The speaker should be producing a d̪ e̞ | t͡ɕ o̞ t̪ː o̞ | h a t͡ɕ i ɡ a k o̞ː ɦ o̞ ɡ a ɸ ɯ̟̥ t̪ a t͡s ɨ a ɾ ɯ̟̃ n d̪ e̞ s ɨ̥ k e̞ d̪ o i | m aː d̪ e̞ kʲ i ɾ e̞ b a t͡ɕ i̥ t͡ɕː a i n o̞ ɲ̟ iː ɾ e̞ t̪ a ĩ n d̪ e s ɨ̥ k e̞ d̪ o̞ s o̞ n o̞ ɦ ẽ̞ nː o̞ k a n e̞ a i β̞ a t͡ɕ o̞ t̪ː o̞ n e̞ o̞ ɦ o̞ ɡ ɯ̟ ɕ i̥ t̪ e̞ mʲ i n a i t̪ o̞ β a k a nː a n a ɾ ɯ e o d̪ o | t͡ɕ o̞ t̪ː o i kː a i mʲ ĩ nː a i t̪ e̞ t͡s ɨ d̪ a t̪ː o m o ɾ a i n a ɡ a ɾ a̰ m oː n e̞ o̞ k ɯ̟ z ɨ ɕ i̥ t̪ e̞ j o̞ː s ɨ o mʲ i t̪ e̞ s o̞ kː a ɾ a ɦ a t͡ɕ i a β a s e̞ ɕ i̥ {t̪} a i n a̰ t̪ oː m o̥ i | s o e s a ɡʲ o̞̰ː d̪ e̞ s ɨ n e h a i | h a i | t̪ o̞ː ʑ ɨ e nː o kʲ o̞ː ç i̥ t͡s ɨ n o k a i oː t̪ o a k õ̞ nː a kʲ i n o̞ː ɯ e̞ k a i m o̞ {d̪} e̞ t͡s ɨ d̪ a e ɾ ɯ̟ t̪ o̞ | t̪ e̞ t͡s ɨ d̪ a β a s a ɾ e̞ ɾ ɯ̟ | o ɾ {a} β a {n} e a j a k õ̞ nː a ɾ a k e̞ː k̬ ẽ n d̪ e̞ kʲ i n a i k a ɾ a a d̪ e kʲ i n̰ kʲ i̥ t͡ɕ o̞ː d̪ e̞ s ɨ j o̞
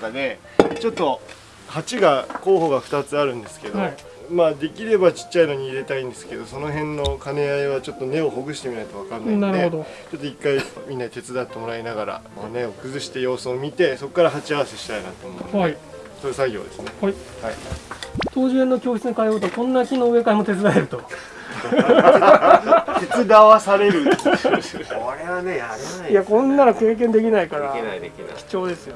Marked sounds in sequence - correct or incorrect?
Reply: correct, incorrect, incorrect, correct

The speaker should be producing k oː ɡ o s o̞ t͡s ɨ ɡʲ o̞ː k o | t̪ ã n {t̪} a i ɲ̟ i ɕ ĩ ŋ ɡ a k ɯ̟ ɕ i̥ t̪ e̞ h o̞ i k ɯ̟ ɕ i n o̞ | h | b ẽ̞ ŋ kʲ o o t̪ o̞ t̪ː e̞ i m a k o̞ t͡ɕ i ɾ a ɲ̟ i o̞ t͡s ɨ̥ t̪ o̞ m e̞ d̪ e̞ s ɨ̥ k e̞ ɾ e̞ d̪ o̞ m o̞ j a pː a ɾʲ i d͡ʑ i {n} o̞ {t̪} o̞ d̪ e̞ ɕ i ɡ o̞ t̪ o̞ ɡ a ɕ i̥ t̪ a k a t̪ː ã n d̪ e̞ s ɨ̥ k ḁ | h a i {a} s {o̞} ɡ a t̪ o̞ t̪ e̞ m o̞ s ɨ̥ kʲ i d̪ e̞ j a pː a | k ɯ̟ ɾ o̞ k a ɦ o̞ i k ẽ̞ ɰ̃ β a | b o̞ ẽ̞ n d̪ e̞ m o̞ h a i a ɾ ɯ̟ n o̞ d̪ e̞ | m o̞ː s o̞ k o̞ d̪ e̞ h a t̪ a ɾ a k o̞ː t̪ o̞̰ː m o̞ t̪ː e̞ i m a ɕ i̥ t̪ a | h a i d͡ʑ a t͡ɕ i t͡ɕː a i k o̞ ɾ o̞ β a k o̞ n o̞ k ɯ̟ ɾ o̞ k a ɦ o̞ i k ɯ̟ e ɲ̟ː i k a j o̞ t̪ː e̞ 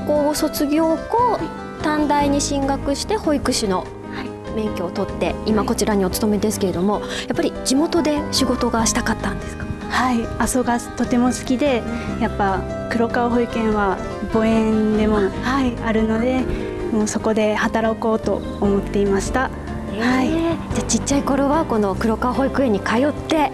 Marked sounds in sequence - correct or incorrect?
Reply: incorrect, incorrect, correct, correct, correct

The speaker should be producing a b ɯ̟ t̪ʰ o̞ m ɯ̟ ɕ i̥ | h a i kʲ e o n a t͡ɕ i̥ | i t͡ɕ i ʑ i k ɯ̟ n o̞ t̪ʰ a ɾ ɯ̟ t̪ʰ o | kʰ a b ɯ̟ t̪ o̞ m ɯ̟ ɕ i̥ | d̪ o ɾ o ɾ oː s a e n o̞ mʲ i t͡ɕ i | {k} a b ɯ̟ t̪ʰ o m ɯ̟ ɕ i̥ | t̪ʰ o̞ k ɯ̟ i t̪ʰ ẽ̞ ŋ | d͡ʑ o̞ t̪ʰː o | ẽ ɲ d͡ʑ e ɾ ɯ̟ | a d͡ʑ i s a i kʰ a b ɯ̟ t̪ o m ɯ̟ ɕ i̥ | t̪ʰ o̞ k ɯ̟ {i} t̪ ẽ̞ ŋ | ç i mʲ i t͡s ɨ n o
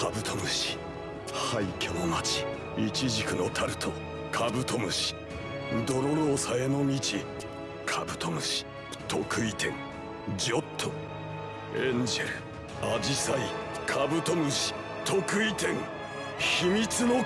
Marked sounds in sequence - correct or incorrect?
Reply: incorrect, correct

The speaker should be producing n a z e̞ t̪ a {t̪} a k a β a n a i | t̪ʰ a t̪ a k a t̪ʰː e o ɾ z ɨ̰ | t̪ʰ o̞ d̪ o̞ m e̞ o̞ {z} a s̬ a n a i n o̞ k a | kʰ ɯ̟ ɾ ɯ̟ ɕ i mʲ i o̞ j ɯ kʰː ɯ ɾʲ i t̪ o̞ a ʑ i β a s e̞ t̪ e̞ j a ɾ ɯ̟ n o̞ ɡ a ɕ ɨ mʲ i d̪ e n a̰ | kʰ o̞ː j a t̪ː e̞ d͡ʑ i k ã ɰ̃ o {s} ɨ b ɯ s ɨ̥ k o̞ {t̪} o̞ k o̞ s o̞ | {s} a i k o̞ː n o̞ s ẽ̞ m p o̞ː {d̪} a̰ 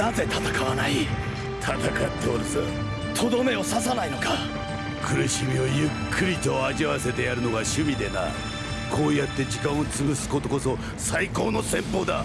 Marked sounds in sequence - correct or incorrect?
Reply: correct, incorrect, incorrect, correct, correct, correct

